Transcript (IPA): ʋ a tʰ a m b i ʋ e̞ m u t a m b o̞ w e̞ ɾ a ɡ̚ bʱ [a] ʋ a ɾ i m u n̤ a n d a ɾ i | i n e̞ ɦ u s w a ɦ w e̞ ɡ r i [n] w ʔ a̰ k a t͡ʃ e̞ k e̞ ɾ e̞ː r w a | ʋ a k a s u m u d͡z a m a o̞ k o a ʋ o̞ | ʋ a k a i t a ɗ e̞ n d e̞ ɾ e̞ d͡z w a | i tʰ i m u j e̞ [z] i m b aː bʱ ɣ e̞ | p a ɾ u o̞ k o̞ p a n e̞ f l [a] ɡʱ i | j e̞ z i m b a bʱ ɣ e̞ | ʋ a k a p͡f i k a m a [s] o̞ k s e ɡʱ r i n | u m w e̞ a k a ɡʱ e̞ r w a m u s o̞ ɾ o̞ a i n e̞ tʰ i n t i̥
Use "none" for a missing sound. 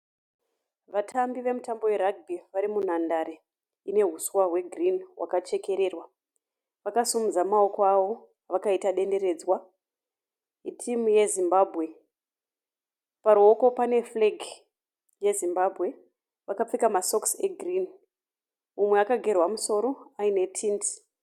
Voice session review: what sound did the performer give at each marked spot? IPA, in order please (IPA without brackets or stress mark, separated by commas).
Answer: i, n, z, e, s